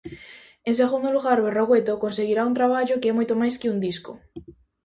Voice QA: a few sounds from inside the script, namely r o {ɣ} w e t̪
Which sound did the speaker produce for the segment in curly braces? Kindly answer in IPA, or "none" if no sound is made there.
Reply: ɣ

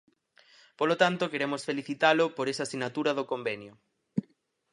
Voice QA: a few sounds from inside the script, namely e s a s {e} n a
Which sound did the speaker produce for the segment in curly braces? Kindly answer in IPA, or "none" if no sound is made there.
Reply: i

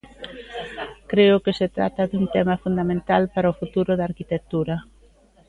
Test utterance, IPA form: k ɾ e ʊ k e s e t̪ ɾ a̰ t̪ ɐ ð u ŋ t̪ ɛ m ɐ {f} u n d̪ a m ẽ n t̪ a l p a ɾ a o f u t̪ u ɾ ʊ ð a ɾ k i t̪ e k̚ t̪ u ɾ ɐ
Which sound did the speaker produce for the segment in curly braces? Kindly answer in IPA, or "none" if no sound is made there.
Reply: f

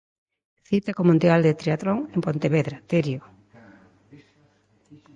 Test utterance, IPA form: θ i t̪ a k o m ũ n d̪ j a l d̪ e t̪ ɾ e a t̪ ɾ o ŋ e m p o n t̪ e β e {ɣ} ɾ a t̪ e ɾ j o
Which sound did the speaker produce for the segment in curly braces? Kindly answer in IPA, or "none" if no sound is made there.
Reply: ð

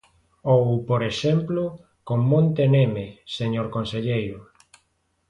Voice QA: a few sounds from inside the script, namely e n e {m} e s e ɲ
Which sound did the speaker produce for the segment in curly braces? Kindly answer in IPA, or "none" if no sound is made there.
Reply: m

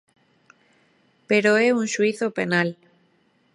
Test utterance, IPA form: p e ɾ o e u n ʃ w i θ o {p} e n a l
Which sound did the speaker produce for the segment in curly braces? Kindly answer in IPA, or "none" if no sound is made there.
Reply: p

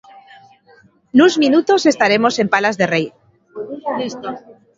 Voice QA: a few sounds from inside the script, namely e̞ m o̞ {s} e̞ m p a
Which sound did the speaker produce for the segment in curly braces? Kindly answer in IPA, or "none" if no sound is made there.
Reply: s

